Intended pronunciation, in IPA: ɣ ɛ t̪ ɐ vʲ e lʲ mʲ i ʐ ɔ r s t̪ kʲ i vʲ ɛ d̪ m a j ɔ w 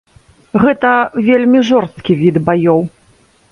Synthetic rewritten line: ɣ ɛ t̪ ɐ vʲ e lʲ mʲ i ʐ ɔ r s t̪ kʲ i vʲ i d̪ b a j ɔ w